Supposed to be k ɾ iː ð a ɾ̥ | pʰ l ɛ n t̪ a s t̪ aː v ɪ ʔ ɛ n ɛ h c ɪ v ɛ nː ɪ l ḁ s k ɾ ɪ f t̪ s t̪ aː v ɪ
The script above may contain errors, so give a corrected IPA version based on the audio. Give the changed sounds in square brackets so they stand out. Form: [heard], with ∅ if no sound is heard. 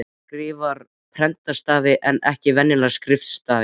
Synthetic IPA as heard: k ɾ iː [v] a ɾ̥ | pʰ [ɾ] ɛ n t̪ a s t̪ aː v ɪ ʔ ɛ n ɛ h c ɪ v ɛ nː ɪ l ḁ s k ɾ ɪ f t̪ s t̪ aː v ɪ